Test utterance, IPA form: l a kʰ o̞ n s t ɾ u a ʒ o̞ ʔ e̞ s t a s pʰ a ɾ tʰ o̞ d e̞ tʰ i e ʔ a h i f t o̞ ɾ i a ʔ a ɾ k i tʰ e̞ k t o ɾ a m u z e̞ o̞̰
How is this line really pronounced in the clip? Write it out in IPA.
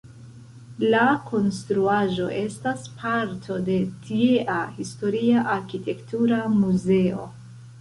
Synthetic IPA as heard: l a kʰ o̞ n s t ɾ u a ʒ o̞ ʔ e̞ s t a s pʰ a ɾ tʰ o̞ d e̞ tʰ i e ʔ a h i s t o̞ ɾ i a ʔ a ɾ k i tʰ e̞ k t u ɾ a m u z e̞ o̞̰

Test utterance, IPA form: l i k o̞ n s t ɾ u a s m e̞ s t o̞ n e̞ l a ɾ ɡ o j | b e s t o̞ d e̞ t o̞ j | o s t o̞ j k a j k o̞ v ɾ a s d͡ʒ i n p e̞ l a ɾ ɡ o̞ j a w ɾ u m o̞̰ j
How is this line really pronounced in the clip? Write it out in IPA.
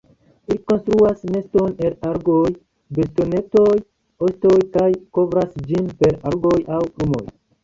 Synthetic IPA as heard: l i k o̞ n s t ɾ u a s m e̞ s t o̞ n e̞ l a ɾ ɡ o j | b e s t o̞ n e̞ t o̞ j | o s t o̞ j k a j k o̞ v ɾ a s d͡ʒ i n p e̞ ɾ a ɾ ɡ o̞ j a w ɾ u m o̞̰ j

